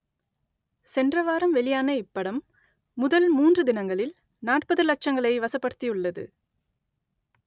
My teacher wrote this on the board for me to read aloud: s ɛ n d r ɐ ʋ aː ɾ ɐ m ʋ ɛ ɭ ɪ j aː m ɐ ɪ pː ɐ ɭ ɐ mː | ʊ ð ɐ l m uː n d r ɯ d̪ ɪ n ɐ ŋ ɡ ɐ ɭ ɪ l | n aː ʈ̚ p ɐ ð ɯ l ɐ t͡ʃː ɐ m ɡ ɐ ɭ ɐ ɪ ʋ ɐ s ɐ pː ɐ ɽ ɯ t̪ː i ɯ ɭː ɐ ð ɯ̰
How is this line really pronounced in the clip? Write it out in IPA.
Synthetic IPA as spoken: s ɛ n d r ɐ ʋ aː ɾ ɐ m ʋ ɛ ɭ ɪ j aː n ɐ ɪ pː ɐ ɽ ɐ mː | ʊ ð ɐ l m uː n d r ɯ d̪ ɪ n ɐ ŋ ɡ ɐ ɭ ɪ l | n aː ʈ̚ p ɐ ð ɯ l ɐ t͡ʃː ɐ ŋ ɡ ɐ ɭ ɐ ɪ ʋ ɐ s ɐ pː ɐ ɽ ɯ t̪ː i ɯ ɭː ɐ ð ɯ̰